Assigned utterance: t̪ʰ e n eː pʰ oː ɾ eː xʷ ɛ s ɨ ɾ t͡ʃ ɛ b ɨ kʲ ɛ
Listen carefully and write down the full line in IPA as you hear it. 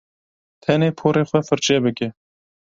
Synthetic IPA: t̪ʰ ɛ n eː pʰ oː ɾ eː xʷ ɛ f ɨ ɾ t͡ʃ ɛ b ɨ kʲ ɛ